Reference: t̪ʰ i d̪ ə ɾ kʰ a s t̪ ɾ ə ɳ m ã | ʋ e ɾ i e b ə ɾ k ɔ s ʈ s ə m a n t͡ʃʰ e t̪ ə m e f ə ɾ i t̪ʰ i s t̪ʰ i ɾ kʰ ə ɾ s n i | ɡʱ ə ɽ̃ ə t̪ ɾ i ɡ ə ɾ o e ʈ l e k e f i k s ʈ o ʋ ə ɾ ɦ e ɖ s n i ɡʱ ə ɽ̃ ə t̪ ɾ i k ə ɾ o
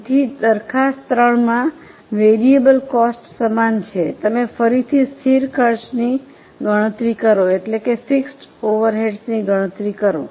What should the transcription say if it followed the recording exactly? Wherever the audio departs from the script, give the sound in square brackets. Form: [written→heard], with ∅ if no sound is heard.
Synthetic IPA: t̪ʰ i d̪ ə ɾ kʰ a s t̪ ɾ ə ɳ m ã | ʋ e ɾ i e b ə [ɾ→l] k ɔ s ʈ s ə m a n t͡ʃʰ e t̪ ə m e f ə ɾ i t̪ʰ i s t̪ʰ i ɾ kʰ ə ɾ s n i | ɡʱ ə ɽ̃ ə t̪ ɾ i [ɡ→k] ə ɾ o e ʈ l e k e f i k s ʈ o ʋ ə ɾ ɦ e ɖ s n i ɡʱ ə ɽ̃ ə t̪ ɾ i k ə ɾ o

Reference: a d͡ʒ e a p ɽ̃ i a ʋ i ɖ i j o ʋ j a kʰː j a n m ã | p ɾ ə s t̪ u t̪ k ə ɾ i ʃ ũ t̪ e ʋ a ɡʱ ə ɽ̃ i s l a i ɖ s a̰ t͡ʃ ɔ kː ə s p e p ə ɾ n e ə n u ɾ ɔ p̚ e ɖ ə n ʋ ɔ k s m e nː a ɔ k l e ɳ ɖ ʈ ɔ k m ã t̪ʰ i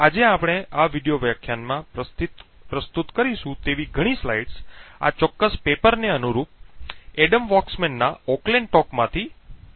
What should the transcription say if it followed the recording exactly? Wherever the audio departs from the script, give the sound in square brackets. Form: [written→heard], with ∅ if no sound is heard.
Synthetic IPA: a d͡ʒ e a p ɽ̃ [i→e] a ʋ i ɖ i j o ʋ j a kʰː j a n m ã | p ɾ ə s t̪ u t̪ k ə ɾ i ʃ ũ t̪ e ʋ [a→i] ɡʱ ə ɽ̃ i s l a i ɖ s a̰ t͡ʃ ɔ kː ə s p e p ə ɾ n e ə n u ɾ [ɔ→u] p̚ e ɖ ə [n→m] ʋ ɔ k s m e nː a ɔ k l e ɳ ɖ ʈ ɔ k m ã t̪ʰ i

